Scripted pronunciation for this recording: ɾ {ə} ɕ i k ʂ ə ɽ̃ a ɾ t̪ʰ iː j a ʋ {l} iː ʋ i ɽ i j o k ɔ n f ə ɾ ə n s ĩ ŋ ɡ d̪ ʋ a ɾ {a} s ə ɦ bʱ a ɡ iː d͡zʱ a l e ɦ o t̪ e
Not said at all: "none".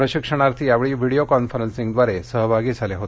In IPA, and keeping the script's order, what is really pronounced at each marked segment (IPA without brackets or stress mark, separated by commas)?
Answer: ə, ɭ, e